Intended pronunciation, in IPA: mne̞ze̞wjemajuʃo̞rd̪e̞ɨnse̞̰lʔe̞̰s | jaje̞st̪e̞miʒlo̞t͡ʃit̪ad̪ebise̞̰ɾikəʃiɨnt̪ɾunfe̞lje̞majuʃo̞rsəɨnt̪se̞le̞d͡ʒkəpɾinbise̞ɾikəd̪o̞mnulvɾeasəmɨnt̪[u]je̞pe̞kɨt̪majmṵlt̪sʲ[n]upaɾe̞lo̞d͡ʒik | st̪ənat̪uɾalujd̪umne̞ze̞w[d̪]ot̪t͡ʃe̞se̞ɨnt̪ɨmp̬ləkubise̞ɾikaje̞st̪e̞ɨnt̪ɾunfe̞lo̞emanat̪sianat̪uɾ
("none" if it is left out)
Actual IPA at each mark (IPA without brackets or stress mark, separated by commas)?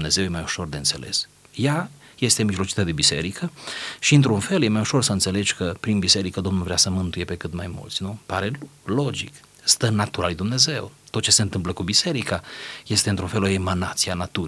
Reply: u, n, t̪